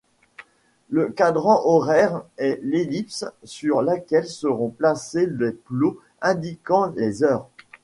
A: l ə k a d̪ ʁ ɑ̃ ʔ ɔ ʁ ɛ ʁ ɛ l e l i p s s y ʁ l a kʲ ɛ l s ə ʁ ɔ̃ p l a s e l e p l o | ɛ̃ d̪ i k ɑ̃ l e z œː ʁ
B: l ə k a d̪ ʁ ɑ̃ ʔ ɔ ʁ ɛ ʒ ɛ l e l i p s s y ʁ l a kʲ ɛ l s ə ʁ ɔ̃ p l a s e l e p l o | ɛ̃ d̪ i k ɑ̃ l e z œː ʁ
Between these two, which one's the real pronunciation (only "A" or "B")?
A